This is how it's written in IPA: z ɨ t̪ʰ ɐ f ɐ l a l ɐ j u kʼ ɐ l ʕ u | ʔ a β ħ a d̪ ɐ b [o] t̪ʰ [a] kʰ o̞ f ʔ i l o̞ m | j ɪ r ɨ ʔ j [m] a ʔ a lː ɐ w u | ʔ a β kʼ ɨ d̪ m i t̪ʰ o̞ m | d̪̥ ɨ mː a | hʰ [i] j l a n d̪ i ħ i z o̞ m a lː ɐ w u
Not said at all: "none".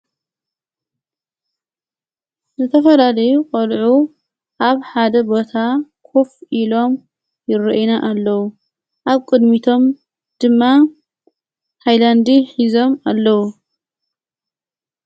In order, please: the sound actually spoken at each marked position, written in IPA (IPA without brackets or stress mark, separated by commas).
o, a, n, a